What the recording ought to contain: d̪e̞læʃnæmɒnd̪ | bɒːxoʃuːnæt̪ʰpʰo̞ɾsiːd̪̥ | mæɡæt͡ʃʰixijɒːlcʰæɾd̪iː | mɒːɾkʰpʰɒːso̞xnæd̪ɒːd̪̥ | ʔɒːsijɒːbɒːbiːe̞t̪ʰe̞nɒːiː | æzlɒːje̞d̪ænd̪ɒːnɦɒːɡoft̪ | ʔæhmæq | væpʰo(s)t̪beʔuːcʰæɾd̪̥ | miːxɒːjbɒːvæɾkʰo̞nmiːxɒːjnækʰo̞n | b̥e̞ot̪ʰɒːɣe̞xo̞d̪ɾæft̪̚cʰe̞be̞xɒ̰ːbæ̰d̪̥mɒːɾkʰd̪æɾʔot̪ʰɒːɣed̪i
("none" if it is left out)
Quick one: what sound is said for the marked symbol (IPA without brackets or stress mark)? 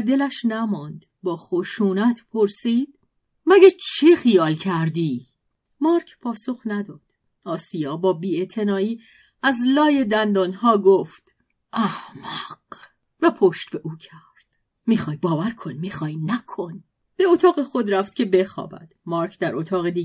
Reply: ʃ